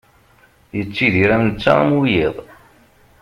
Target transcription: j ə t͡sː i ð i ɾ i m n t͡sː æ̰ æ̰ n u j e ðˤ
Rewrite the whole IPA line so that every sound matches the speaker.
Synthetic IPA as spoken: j ə t͡sː i ð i ɾ æ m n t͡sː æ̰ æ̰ m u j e ðˤ